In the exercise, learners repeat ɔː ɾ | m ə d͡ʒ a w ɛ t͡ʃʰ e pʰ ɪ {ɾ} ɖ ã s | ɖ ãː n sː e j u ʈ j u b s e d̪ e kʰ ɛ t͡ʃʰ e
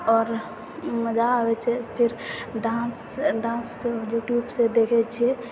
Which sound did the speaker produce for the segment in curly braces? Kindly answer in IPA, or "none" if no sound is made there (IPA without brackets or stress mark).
ɾ